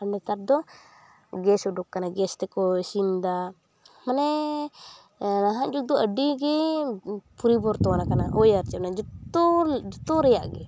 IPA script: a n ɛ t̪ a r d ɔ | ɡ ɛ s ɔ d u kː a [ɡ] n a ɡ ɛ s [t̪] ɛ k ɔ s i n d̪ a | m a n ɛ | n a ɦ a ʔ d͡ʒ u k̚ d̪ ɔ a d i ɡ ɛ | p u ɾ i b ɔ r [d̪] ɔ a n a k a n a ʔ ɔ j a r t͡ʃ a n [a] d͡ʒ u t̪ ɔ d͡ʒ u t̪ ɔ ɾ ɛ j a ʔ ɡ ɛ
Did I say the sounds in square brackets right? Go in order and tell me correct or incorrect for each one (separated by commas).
incorrect, correct, incorrect, correct